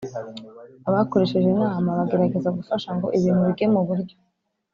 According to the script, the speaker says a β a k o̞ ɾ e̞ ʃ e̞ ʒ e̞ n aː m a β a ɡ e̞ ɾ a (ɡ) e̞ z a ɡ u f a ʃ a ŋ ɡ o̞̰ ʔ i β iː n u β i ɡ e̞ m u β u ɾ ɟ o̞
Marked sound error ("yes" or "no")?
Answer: no